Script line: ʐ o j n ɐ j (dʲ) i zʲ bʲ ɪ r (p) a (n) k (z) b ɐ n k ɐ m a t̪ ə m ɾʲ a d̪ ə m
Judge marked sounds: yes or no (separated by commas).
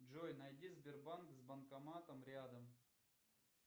yes, no, yes, yes